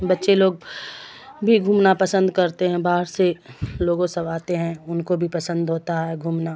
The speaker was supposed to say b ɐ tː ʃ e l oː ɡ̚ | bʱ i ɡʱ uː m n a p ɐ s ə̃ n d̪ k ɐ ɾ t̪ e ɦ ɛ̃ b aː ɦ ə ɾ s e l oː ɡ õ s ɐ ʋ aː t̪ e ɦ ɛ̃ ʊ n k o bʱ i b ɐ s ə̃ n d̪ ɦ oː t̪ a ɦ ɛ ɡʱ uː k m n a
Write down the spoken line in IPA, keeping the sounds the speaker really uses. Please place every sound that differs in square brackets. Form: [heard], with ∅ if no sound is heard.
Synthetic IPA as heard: b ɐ tː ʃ e l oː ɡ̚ | bʱ i ɡʱ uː m n a p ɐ s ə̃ n d̪ k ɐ ɾ t̪ e ɦ ɛ̃ b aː ɦ ə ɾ s e l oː ɡ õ s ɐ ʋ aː t̪ e ɦ ɛ̃ ʊ n k o bʱ i [p] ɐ s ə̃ n d̪ ɦ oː t̪ a ɦ ɛ ɡʱ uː [∅] m n a

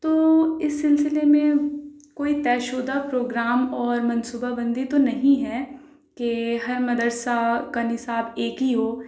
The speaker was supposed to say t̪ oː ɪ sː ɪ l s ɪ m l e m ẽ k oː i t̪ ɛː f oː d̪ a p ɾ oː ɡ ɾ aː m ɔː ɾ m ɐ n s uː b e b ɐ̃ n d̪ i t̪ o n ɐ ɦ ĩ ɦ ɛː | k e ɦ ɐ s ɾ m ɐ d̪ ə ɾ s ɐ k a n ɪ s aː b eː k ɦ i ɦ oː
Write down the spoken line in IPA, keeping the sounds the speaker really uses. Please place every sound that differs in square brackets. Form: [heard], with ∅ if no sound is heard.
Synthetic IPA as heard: t̪ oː ɪ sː ɪ l s ɪ [∅] l e m ẽ k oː i t̪ ɛː [ʃ] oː d̪ a p ɾ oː ɡ ɾ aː m ɔː ɾ m ɐ n s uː b [a] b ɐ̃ n d̪ i t̪ o n ɐ ɦ ĩ ɦ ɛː | k e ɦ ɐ [∅] ɾ m ɐ d̪ ə ɾ s [a] k a n ɪ s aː b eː k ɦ i ɦ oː

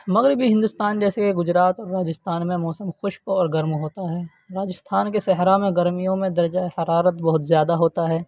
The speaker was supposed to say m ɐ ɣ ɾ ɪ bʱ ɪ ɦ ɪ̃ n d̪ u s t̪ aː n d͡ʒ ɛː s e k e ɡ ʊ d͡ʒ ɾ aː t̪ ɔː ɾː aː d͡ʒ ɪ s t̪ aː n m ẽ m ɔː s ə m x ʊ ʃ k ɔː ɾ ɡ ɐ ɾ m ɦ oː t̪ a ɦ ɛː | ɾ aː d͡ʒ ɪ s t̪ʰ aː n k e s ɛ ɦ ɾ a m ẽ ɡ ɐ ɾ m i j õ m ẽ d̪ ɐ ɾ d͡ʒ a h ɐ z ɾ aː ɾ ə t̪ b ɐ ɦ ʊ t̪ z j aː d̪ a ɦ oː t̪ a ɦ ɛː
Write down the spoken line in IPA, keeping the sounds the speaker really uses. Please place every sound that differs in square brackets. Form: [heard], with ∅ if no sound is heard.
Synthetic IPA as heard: m ɐ ɣ ɾ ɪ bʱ [i] ɦ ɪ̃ n d̪ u s t̪ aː n d͡ʒ ɛː s e k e ɡ ʊ d͡ʒ ɾ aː t̪ ɔː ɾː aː d͡ʒ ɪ s t̪ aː n m ẽ m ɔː s ə m x ʊ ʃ k ɔː ɾ ɡ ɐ ɾ m ɦ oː t̪ a ɦ ɛː | ɾ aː d͡ʒ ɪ s t̪ʰ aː n k e s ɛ ɦ ɾ a m ẽ ɡ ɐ ɾ m i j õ m ẽ d̪ ɐ ɾ d͡ʒ a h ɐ [∅] ɾ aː ɾ ə t̪ b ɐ ɦ ʊ t̪ z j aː d̪ a ɦ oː t̪ a ɦ ɛː

